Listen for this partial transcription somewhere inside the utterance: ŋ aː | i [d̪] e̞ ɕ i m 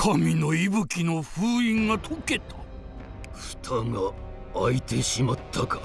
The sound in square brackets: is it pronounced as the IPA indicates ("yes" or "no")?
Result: no